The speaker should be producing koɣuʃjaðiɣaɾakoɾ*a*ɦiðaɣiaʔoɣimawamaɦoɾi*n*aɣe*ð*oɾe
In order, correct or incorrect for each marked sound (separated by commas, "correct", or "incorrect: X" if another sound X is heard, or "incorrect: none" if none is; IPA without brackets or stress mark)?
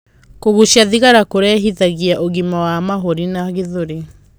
incorrect: ɛ, correct, correct